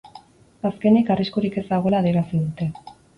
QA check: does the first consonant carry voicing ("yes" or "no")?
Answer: no